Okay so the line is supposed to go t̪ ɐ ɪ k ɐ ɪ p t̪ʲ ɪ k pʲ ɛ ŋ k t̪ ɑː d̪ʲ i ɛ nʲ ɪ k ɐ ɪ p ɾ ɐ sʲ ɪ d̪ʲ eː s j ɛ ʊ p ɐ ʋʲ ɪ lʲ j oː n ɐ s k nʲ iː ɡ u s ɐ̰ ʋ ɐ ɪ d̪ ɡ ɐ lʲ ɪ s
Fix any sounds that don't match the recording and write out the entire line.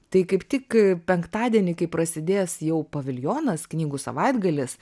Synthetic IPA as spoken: t̪ ɐ ɪ k ɐ ɪ p t̪ʲ ɪ k pʲ ɛ ŋ k t̪ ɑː d̪ʲ i ɛ nʲ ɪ k ɐ ɪ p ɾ ɐ sʲ ɪ d̪ʲ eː s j ɛ ʊ p ɐ ʋʲ ɪ lʲ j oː n ɐ s k nʲ iː ɡ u s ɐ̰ ʋ ɐ ɪ d̪ ɡ ɐ lʲ ɪ s

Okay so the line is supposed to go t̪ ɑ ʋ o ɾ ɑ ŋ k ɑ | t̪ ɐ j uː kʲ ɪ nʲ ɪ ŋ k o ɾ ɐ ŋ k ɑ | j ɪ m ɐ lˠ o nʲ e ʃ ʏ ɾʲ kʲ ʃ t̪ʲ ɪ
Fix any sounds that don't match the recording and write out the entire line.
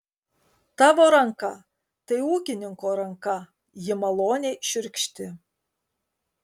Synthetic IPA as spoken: t̪ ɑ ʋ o ɾ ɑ ŋ k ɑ | t̪ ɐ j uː kʲ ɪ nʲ ɪ ŋ k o ɾ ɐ ŋ k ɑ | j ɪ m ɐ lˠ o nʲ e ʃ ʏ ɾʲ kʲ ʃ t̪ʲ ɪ

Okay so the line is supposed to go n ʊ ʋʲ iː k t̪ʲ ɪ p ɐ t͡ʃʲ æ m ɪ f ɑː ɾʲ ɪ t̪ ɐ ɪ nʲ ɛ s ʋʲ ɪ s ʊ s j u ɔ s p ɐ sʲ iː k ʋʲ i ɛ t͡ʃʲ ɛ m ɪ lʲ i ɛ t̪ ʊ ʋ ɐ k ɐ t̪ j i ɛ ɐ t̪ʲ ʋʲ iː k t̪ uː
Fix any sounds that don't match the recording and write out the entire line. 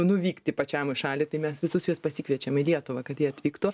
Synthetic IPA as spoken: n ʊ ʋʲ iː k t̪ʲ ɪ p ɐ t͡ʃʲ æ m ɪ ʃ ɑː lʲ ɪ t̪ ɐ ɪ mʲ ɛ s ʋʲ ɪ s ʊ s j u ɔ s p ɐ sʲ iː k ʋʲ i ɛ t͡ʃʲ ɛ m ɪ lʲ i ɛ t̪ ʊ ʋ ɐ k ɐ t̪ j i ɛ ɐ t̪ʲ ʋʲ iː k t̪ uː

